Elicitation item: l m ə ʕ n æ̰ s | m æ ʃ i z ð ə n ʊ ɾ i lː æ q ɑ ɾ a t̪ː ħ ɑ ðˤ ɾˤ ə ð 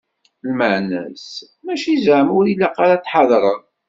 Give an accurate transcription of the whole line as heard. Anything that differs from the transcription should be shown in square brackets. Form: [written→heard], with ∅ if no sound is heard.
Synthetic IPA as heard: l m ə ʕ n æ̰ s | m æ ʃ i z [ð→ʕ] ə [n→m] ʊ ɾ i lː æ q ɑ ɾ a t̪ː ħ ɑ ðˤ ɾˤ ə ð